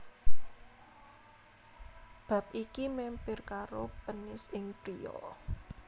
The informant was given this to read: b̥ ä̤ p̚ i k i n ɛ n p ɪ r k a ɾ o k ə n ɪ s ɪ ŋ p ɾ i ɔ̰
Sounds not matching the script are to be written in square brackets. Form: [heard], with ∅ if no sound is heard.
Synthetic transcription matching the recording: b̥ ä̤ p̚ i k i [m] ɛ [m] p ɪ r k a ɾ o [p] ə n ɪ s ɪ ŋ p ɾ i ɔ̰